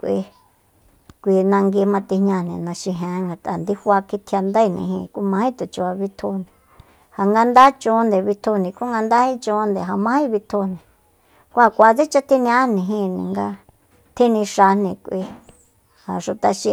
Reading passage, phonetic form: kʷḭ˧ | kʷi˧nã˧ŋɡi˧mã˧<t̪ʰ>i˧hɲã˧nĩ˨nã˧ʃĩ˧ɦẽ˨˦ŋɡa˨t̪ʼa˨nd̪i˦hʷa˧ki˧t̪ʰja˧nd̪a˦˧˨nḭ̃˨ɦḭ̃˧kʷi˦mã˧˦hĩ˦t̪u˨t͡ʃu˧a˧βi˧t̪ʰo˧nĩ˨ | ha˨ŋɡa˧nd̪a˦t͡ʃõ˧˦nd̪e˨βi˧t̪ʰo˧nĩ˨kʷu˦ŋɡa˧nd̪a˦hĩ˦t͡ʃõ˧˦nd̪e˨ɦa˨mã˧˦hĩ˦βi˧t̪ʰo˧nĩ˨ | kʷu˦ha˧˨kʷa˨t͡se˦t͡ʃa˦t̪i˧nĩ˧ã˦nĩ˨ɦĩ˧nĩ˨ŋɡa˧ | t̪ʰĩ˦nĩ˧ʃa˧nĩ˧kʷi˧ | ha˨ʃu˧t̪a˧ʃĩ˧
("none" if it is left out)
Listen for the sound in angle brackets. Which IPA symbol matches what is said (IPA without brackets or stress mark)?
t̪